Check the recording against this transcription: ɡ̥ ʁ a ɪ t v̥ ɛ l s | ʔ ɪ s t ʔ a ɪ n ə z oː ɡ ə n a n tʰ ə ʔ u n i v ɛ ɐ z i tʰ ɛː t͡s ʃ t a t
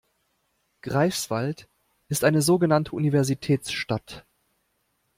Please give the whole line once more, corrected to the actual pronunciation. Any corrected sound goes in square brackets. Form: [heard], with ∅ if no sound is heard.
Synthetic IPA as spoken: ɡ̥ ʁ a ɪ [s] v̥ [a] l [t] | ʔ ɪ s t ʔ a ɪ n ə z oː ɡ ə n a n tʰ ə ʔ u n i v ɛ ɐ z i tʰ ɛː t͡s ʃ t a t

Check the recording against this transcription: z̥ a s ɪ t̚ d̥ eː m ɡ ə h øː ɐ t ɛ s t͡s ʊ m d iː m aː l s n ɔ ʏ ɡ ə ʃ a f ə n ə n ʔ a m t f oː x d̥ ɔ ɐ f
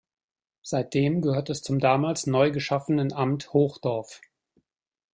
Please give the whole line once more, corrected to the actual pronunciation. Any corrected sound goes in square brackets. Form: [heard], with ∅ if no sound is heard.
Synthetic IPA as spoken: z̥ a [∅] ɪ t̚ d̥ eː m ɡ ə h øː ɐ t ɛ s t͡s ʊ m d [aː] m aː l s n ɔ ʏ ɡ ə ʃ a f ə n ə n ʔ a m t [h] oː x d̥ ɔ ɐ f

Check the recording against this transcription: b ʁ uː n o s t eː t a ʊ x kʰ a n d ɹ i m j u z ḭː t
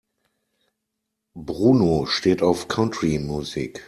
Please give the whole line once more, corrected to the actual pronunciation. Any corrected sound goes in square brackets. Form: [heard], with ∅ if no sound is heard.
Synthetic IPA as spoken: b ʁ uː n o [ʃ] t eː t a ʊ [f] kʰ a n [t] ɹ i m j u z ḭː [k]

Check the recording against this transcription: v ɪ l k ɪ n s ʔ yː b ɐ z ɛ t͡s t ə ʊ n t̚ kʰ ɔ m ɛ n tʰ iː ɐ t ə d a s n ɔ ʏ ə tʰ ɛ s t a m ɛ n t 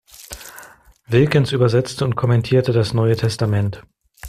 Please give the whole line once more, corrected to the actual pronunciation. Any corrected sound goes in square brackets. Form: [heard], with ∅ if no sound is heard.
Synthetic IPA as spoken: v ɪ l k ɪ n s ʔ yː b ɐ z ɛ t͡s t ə ʊ n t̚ kʰ ɔ m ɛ n tʰ iː ɐ t ə d a s n ɔ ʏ ə tʰ ɛ s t a m ɛ n t

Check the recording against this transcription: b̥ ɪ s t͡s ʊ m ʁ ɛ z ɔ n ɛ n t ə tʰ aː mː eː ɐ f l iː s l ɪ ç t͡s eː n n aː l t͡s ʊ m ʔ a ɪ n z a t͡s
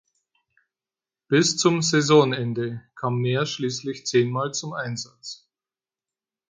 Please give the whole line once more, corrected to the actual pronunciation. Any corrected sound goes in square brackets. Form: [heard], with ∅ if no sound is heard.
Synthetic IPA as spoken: b̥ ɪ s t͡s ʊ m [z] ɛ z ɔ n ɛ n [d] ə [kʰ] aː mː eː ɐ [ʃ] l iː s l ɪ ç t͡s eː n [m] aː l t͡s ʊ m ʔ a ɪ n z a t͡s

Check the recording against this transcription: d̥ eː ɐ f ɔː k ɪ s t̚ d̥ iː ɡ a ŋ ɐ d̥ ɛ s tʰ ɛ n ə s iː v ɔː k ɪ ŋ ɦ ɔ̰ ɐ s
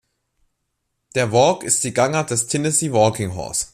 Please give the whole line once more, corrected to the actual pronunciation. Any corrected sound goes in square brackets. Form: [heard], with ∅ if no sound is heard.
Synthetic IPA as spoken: d̥ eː ɐ [v] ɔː k ɪ s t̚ d̥ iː ɡ a ŋ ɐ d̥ ɛ s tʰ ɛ n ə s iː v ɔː k ɪ ŋ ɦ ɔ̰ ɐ s

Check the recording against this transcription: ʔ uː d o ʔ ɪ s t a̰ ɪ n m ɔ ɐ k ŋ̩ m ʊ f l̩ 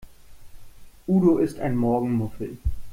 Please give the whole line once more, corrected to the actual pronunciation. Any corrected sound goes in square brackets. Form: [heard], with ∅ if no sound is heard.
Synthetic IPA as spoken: ʔ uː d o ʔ ɪ s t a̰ ɪ n m ɔ ɐ [ɡ] ŋ̩ m ʊ f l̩

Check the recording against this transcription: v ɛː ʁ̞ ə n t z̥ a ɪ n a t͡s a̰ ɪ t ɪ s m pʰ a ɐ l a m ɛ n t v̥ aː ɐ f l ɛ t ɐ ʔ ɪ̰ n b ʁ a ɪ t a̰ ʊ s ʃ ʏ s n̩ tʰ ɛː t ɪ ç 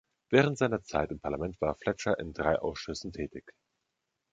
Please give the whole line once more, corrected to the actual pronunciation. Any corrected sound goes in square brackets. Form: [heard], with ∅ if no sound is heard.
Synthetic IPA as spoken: v ɛː ʁ̞ ə n t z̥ a ɪ n [ɐ] t͡s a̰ ɪ t ɪ [∅] m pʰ a ɐ l a m ɛ n t v̥ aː ɐ f l ɛ [t͡ʃ] ɐ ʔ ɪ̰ n [d] ʁ a ɪ [ʔ] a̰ ʊ s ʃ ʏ s n̩ tʰ ɛː t ɪ ç

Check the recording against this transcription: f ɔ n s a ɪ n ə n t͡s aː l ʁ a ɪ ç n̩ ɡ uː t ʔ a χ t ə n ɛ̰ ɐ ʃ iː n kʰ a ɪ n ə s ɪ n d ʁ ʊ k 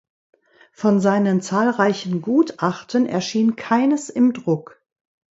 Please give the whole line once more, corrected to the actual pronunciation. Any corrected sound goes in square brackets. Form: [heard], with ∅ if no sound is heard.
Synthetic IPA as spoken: f ɔ n [z] a ɪ n ə n t͡s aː l ʁ a ɪ ç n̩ ɡ uː t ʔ a χ t ə n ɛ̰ ɐ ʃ iː n kʰ a ɪ n ə s ɪ [m] d ʁ ʊ k

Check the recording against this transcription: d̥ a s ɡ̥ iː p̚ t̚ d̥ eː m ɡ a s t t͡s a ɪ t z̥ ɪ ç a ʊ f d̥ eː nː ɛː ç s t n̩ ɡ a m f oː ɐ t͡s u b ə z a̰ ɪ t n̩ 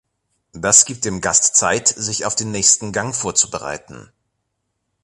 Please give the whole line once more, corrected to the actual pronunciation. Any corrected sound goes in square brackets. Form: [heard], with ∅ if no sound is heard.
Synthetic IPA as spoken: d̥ a s ɡ̥ iː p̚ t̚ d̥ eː m ɡ a s t t͡s a ɪ t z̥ ɪ ç a ʊ f d̥ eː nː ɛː ç s t n̩ ɡ a [ŋ] f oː ɐ t͡s u b ə [ʁ] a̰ ɪ t n̩

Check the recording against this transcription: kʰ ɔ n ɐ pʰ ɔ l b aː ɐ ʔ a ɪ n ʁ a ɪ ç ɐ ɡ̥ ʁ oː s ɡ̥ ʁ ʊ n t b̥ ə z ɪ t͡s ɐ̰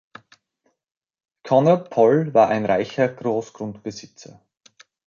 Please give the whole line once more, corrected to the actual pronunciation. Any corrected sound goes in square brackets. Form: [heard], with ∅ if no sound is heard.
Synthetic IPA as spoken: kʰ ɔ n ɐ pʰ ɔ l [v] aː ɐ ʔ a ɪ n ʁ a ɪ ç ɐ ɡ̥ ʁ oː s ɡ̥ ʁ ʊ n t b̥ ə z ɪ t͡s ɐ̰

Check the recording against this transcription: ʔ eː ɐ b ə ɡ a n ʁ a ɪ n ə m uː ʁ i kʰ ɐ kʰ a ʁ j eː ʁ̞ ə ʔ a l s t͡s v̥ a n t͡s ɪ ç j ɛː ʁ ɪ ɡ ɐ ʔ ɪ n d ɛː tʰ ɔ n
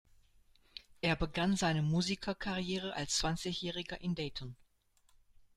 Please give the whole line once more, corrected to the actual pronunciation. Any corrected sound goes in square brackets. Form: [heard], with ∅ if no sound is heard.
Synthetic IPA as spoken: ʔ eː ɐ b ə ɡ a n [z] a ɪ n ə m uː [z] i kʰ ɐ kʰ a ʁ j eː ʁ̞ ə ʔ a l s t͡s v̥ a n t͡s ɪ ç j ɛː ʁ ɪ ɡ ɐ ʔ ɪ n d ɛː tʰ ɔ n

